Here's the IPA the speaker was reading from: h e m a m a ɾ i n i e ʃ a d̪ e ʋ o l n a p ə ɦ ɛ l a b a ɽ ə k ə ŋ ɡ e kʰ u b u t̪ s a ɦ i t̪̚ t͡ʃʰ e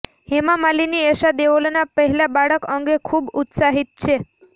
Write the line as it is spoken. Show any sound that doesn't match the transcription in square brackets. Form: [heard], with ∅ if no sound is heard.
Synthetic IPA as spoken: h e m a m a [l] i n i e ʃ a d̪ e ʋ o l n a p ə ɦ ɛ l a b a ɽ ə k ə ŋ ɡ e kʰ u b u t̪ s a ɦ i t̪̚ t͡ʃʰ e